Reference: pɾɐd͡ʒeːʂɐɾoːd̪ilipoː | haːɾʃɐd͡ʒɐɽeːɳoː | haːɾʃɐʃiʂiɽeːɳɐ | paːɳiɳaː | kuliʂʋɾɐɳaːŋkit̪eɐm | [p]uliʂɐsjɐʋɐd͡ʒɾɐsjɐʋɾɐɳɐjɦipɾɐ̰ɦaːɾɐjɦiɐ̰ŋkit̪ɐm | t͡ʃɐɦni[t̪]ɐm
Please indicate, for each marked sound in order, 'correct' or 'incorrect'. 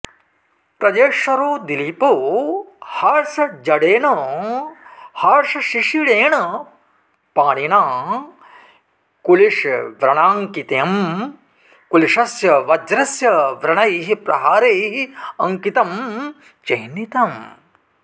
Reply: incorrect, correct

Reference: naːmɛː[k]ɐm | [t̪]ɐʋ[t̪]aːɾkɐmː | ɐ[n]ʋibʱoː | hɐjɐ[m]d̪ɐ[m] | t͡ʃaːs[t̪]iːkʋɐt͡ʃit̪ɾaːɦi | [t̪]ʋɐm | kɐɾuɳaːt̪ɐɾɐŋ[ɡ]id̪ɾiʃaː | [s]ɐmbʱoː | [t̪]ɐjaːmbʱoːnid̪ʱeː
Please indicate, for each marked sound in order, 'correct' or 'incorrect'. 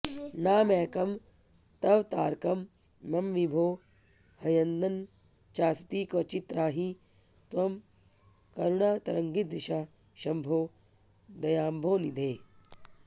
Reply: correct, correct, correct, incorrect, incorrect, incorrect, correct, correct, correct, incorrect, incorrect

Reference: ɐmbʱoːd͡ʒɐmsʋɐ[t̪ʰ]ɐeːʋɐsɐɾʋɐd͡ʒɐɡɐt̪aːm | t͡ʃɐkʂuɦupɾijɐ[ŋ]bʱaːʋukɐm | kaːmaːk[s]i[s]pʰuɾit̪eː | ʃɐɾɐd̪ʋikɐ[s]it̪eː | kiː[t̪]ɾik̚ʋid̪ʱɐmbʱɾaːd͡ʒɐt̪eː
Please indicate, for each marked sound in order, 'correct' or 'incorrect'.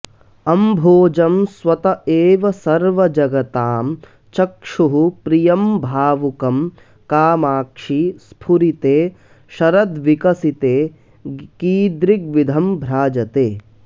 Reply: incorrect, incorrect, incorrect, correct, correct, incorrect

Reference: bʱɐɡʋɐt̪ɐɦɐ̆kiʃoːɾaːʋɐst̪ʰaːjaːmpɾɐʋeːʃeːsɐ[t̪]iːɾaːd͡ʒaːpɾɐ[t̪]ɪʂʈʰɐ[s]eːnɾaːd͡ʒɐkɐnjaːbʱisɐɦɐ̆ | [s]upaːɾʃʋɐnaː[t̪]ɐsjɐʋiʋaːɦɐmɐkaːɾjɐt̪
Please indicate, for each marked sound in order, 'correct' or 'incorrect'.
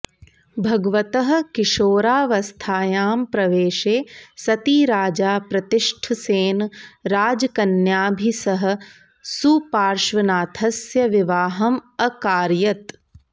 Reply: correct, correct, correct, correct, incorrect

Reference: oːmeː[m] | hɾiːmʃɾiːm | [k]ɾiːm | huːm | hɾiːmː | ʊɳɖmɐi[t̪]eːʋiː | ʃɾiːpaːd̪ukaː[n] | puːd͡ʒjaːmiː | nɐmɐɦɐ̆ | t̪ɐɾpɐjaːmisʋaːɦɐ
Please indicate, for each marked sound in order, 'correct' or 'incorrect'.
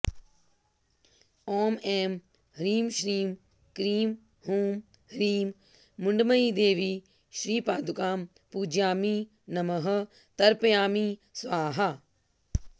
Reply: correct, correct, incorrect, incorrect

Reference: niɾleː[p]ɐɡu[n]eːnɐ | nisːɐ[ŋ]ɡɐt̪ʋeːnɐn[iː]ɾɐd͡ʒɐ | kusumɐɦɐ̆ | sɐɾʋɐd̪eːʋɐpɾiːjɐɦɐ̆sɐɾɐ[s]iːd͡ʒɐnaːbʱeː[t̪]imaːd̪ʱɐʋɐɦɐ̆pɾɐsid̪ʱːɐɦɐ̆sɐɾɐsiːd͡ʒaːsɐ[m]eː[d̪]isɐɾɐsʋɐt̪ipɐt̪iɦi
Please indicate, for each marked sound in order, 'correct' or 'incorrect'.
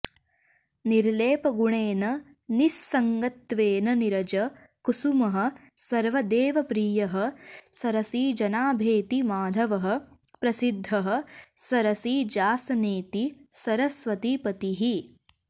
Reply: correct, incorrect, correct, incorrect, correct, correct, incorrect, incorrect

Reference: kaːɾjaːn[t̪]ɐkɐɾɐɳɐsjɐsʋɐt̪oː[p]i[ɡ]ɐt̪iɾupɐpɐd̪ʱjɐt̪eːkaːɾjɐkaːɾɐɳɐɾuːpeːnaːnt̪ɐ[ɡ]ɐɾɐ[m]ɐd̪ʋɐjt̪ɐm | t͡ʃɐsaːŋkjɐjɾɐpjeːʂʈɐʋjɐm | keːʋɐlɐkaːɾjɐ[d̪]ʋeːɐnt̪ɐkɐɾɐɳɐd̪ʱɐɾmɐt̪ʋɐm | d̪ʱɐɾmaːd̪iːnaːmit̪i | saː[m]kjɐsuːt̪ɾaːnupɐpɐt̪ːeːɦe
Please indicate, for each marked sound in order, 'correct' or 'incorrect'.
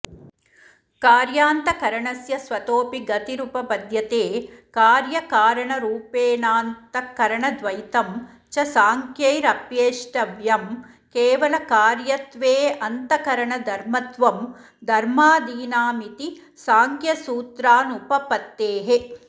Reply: correct, correct, correct, incorrect, incorrect, incorrect, incorrect

